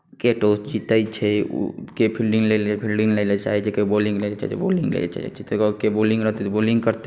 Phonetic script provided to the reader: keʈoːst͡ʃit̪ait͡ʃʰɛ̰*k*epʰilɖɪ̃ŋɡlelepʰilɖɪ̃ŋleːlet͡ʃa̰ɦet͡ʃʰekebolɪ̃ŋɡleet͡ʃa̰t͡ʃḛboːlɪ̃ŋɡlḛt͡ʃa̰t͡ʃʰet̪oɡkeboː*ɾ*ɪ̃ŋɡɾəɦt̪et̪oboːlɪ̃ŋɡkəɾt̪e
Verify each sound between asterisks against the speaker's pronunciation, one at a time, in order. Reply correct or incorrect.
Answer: correct, incorrect: l

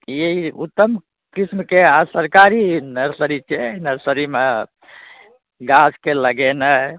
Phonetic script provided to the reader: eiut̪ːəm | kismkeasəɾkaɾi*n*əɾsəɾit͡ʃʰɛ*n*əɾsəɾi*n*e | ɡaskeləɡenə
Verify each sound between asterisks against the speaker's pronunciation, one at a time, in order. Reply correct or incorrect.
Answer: correct, correct, incorrect: m

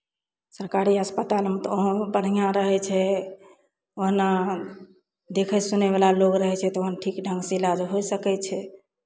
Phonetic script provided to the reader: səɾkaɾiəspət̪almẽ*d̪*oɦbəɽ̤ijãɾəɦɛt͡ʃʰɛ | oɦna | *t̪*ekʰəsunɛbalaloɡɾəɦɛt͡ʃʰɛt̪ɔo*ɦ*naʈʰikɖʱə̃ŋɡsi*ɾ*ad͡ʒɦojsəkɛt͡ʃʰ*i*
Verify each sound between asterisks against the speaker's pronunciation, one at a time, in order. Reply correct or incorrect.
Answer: incorrect: t̪, incorrect: d̪, correct, incorrect: l, incorrect: ɛ

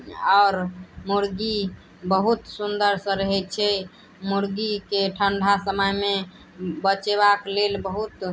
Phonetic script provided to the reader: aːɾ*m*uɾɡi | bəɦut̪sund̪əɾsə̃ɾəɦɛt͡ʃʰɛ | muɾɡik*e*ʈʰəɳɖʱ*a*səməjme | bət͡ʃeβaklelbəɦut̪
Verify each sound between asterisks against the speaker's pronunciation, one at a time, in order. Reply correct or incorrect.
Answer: correct, correct, correct

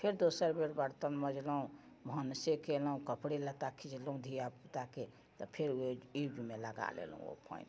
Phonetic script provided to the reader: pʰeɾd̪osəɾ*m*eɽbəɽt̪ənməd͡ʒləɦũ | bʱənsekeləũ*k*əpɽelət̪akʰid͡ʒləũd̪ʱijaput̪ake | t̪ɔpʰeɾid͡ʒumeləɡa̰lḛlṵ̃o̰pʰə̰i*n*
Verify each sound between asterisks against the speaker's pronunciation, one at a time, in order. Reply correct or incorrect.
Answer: incorrect: b, correct, correct

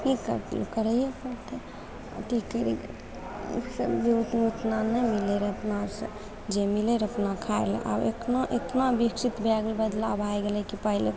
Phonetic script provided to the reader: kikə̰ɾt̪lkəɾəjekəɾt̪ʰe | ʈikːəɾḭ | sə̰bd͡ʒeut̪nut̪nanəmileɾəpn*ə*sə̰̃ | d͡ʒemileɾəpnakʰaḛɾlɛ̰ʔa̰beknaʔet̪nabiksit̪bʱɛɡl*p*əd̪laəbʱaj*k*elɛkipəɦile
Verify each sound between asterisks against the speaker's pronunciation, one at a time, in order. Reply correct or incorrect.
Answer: incorrect: a, incorrect: b, incorrect: ɡ

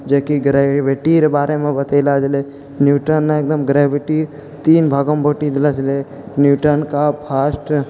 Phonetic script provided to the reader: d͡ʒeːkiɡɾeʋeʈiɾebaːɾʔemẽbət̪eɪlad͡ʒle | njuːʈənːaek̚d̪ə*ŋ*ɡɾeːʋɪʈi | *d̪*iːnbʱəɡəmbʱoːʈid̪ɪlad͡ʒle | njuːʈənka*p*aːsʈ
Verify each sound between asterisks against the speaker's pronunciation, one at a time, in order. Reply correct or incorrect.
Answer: incorrect: m, incorrect: t̪, incorrect: pʰ

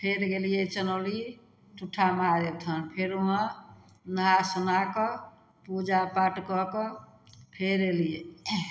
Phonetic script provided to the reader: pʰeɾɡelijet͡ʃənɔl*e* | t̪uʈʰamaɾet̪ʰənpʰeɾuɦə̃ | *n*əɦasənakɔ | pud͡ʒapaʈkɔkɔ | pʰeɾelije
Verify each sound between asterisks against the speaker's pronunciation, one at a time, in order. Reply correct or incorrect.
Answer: incorrect: i, correct

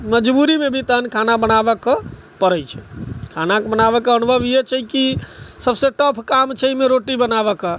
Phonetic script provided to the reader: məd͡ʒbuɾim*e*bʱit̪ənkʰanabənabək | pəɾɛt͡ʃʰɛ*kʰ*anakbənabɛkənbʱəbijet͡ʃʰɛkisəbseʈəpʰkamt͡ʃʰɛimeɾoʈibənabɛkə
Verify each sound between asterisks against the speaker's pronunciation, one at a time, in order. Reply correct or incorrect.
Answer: correct, correct

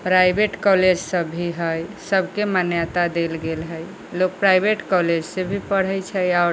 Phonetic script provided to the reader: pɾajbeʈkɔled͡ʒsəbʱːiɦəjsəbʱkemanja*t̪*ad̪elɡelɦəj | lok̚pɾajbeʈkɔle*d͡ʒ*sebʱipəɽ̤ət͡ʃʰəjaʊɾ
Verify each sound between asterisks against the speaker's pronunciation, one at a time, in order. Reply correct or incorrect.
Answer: correct, correct

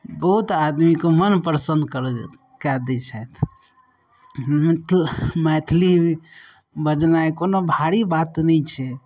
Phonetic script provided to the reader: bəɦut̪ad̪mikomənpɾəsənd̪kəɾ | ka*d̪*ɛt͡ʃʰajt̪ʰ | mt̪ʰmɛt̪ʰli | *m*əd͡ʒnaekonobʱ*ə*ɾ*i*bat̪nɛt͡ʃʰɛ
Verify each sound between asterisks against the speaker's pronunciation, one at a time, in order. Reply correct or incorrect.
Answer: correct, incorrect: b, incorrect: a, correct

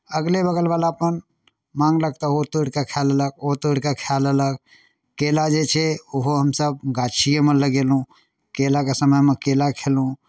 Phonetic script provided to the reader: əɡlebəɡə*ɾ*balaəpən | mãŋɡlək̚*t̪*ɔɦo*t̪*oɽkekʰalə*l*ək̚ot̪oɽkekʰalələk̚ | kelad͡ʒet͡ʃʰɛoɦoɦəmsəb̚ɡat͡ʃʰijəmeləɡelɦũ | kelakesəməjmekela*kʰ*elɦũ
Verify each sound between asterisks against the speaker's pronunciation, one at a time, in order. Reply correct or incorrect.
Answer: incorrect: l, correct, correct, correct, correct

